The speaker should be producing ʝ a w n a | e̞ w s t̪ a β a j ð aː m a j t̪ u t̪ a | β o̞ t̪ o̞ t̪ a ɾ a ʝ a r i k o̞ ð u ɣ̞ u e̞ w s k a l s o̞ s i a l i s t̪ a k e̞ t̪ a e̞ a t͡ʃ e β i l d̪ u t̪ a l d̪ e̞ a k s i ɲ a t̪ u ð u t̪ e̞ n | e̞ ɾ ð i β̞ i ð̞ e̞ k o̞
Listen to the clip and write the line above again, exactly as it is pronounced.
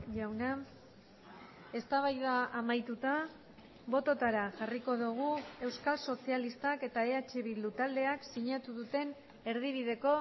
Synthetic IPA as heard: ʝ a w n a | e̞ s t̪ a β a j ð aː m a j t̪ u t̪ a | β o̞ t̪ o̞ t̪ a ɾ a ʝ a r i k o̞ ð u ɣ̞ u e̞ w s k a l s o̞ s i a l i s t̪ a k e̞ t̪ a e̞ a t͡ʃ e β i l d̪ u t̪ a l d̪ e̞ a k s i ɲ a t̪ u ð u t̪ e̞ n | e̞ ɾ ð i β̞ i ð̞ e̞ k o̞